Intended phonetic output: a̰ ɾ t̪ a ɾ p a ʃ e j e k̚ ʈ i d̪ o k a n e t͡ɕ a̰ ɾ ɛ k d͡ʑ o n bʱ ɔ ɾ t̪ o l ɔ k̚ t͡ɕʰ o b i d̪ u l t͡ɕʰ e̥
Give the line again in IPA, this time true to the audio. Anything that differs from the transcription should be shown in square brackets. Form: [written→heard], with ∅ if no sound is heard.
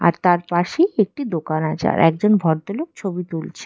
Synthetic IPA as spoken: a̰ ɾ t̪ a ɾ p a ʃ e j e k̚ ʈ i d̪ o k a n [e→a] t͡ɕ a̰ ɾ ɛ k d͡ʑ o n bʱ ɔ ɾ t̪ o l [ɔ→o] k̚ t͡ɕʰ o b i [d̪→t̪] u l t͡ɕʰ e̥